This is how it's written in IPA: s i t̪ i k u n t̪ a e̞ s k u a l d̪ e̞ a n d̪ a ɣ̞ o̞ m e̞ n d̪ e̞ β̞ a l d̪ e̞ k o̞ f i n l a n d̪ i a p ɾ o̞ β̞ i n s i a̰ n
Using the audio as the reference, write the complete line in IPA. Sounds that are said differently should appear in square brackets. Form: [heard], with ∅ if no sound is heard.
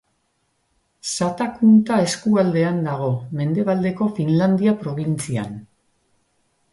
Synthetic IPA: s [a] t̪ [a] k u n t̪ a e̞ s k u a l d̪ e̞ a n d̪ a ɣ̞ o̞ m e̞ n d̪ e̞ β̞ a l d̪ e̞ k o̞ f i n l a n d̪ i a p ɾ o̞ β̞ i n [t͡s] i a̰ n

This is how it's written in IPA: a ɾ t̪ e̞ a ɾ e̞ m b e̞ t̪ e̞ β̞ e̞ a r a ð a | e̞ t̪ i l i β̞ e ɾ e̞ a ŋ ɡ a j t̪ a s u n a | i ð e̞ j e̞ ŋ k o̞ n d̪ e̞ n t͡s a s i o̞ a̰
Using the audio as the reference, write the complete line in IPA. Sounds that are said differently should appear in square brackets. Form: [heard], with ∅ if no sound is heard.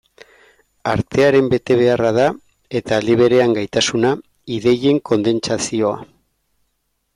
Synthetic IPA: a ɾ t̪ e̞ a ɾ e̞ m b e̞ t̪ e̞ β̞ e̞ a r a ð a | e̞ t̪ [a] l i β̞ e ɾ e̞ a ŋ ɡ a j t̪ a s u n a | i ð e̞ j e̞ ŋ k o̞ n d̪ e̞ n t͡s a s i o̞ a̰

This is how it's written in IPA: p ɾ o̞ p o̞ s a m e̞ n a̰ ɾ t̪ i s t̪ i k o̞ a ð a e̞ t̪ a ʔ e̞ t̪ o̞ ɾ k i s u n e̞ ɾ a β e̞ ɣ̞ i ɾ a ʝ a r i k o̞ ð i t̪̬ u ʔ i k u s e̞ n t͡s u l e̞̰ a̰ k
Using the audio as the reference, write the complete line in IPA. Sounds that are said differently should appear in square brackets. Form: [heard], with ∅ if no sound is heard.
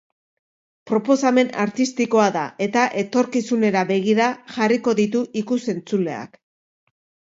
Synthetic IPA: p ɾ o̞ p o̞ s a m e̞ n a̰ ɾ t̪ i s t̪ i k o̞ a ð a e̞ t̪ a ʔ e̞ t̪ o̞ ɾ k i s u n e̞ ɾ a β e̞ ɣ̞ i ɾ a ʝ a r i k o̞ ð i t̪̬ u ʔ i k u s e̞ n t͡s u l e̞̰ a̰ k

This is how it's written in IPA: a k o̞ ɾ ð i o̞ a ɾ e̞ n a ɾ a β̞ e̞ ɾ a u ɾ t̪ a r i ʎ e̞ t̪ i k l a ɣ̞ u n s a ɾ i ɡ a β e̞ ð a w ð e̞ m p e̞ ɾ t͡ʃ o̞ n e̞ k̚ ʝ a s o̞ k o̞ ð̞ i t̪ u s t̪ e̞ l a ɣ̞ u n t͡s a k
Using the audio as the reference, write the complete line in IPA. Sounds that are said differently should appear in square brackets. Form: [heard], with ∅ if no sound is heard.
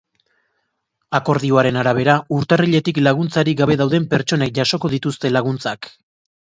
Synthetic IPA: a k o̞ ɾ ð i o̞ a ɾ e̞ n a ɾ a β̞ e̞ ɾ a u ɾ t̪ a r i ʎ e̞ t̪ i k l a ɣ̞ u n [t͡s] a ɾ i ɡ a β e̞ ð a w ð e̞ m p e̞ ɾ t͡ʃ o̞ n e̞ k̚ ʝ a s o̞ k o̞ ð̞ i t̪ u s t̪ e̞ l a ɣ̞ u n t͡s a k

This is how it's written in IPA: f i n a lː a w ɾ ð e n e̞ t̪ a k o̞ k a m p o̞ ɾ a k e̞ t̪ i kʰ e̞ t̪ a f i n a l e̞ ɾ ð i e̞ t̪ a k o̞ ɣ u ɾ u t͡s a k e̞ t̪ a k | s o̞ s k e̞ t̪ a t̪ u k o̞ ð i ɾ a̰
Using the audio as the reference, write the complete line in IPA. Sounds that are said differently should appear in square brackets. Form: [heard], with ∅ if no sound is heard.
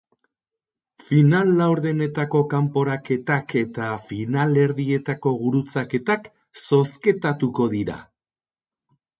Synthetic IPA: f i n a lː a w ɾ ð e n e̞ t̪ a k o̞ k a m p o̞ ɾ a k e̞ t̪ [a] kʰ e̞ t̪ a f i n a l e̞ ɾ ð i e̞ t̪ a k o̞ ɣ u ɾ u t͡s a k e̞ t̪ a k | s o̞ s k e̞ t̪ a t̪ u k o̞ ð i ɾ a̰

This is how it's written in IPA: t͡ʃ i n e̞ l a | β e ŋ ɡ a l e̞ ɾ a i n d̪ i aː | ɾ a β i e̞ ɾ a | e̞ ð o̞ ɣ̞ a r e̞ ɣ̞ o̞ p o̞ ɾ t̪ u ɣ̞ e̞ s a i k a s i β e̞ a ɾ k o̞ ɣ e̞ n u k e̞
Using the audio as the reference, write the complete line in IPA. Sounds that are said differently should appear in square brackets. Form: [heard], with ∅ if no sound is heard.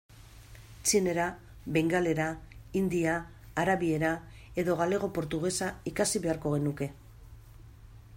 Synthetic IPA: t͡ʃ i n e̞ [ɾ] a | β e ŋ ɡ a l e̞ ɾ a i n d̪ i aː | ɾ a β i e̞ ɾ a | e̞ ð o̞ ɣ̞ a [l] e̞ ɣ̞ o̞ p o̞ ɾ t̪ u ɣ̞ e̞ s a i k a s i β e̞ a ɾ k o̞ ɣ e̞ n u k e̞

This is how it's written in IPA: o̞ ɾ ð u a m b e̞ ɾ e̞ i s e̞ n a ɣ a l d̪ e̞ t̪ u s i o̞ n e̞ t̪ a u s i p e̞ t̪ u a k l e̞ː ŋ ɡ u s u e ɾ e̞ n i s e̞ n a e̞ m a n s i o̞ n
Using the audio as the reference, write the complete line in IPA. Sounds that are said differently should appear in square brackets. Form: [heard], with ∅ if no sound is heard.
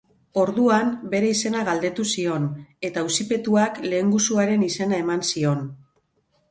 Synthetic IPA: o̞ ɾ ð u a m b e̞ ɾ e̞ i s e̞ n a ɣ a l d̪ e̞ t̪ u s i o̞ n e̞ t̪ a u s i p e̞ t̪ u a k l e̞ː ŋ ɡ u s u [a] ɾ e̞ n i s e̞ n a e̞ m a n s i o̞ n

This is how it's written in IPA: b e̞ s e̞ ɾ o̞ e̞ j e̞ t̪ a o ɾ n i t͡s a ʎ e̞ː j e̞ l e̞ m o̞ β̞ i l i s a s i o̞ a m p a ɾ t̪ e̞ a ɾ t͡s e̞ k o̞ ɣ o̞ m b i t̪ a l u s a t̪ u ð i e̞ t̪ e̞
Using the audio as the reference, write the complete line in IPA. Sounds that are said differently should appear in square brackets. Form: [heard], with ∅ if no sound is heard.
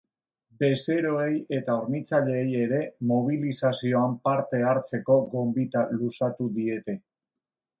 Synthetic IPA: b e̞ s e̞ ɾ o̞ e̞ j e̞ t̪ a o ɾ n i t͡s a ʎ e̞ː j e̞ [ɾ] e̞ m o̞ β̞ i l i s a s i o̞ a m p a ɾ t̪ e̞ a ɾ t͡s e̞ k o̞ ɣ o̞ m b i t̪ a l u s a t̪ u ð i e̞ t̪ e̞

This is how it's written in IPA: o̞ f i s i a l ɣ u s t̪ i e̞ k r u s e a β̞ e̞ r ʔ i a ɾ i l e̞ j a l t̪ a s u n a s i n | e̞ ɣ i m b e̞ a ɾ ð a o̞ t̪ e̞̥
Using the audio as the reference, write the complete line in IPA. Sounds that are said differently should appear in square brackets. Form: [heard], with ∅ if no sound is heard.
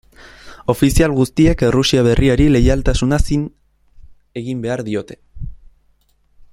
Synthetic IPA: o̞ f i s i a l ɣ u s t̪ i e̞ k r u s [i] a β̞ e̞ r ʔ i a ɾ i l e̞ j a l t̪ a s u n a s i n | e̞ ɣ i m b e̞ a ɾ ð [i] o̞ t̪ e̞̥

